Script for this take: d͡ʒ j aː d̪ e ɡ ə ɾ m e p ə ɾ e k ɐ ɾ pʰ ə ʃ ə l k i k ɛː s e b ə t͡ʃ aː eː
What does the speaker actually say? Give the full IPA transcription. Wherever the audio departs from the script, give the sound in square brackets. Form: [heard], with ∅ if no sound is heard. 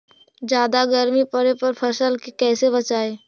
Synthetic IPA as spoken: d͡ʒ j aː d̪ [a] ɡ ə ɾ m [i] p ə ɾ e [p] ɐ ɾ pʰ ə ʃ ə l k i k ɛː s e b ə t͡ʃ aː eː